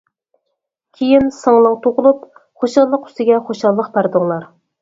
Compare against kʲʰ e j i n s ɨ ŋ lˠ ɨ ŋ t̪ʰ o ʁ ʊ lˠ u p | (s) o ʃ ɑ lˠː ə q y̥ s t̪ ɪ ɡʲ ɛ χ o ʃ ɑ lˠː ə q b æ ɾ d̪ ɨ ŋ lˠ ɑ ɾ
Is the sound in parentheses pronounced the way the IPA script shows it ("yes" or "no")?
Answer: no